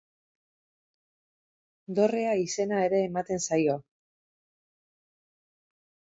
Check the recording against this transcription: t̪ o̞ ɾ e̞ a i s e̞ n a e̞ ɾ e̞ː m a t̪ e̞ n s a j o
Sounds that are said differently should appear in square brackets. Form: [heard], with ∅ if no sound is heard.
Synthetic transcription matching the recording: [d̪] o̞ [r] e̞ a i s e̞ n a e̞ ɾ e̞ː m a t̪ e̞ n s a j o